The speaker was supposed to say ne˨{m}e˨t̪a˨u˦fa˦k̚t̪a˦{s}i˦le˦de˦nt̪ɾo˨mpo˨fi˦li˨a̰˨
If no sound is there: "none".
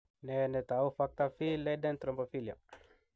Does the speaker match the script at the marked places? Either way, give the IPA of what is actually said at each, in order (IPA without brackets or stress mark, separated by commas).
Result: n, f